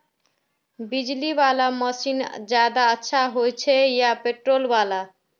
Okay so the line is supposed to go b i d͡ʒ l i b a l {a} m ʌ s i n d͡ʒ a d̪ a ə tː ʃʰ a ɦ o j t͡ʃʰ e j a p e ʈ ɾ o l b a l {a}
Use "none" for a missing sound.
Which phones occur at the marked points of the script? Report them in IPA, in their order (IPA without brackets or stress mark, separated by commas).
a, a